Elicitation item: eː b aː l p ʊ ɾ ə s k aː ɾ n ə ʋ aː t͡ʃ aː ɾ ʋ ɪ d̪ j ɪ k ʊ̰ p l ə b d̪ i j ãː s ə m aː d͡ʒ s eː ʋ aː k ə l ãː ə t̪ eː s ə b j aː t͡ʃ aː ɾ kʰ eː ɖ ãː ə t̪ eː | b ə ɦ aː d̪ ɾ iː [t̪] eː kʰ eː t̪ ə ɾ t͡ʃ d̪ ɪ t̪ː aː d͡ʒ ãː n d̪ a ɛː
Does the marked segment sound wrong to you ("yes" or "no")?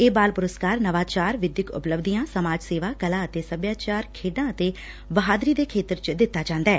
yes